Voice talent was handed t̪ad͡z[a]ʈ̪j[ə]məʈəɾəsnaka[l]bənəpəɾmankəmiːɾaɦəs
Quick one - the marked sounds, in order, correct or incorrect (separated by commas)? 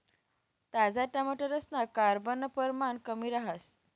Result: correct, incorrect, incorrect